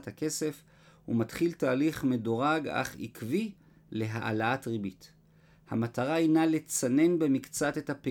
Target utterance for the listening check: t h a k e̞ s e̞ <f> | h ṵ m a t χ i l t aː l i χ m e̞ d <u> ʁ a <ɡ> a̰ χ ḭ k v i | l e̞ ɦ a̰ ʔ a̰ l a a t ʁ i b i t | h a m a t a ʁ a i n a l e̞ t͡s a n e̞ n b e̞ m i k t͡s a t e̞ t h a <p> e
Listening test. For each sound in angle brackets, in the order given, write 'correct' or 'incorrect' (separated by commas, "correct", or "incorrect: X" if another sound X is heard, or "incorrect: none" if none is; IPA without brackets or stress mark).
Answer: correct, incorrect: o, correct, correct